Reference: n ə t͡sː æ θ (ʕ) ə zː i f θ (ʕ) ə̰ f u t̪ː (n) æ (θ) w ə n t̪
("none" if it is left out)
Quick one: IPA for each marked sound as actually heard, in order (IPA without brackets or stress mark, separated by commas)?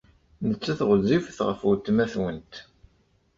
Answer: ʁ, ʁ, m, θ